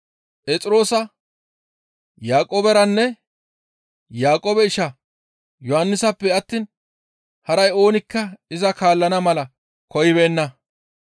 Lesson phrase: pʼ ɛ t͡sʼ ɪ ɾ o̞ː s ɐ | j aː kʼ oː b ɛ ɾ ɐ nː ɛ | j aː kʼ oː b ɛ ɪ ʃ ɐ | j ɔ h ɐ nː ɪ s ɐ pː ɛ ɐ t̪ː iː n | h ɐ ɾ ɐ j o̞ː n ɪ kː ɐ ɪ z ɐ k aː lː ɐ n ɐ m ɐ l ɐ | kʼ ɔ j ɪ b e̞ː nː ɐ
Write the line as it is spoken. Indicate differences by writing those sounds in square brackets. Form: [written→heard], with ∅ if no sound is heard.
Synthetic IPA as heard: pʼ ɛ t͡sʼ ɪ ɾ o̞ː s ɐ | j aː kʼ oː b ɛ ɾ ɐ nː ɛ | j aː kʼ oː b ɛ ɪ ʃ ɐ | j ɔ h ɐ nː ɪ s ɐ pː ɛ ɐ t̪ː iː n | h ɐ ɾ ɐ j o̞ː n ɪ kː ɐ ɪ z ɐ k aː lː ɐ n ɐ m ɐ l ɐ | [kʼ→k] ɔ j ɪ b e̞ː nː ɐ